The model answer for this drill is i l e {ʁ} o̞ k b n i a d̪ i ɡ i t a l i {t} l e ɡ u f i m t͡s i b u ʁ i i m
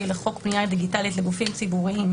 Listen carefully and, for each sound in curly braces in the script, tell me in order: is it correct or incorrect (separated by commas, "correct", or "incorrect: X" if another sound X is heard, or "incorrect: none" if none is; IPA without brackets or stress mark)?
incorrect: χ, correct